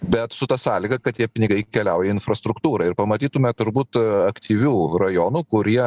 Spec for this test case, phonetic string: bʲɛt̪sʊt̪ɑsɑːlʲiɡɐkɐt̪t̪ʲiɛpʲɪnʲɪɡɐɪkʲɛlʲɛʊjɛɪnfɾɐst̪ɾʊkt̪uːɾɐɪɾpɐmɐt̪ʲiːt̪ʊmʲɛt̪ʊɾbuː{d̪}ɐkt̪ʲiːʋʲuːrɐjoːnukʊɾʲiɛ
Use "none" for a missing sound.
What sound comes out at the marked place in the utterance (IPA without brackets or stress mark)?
t̪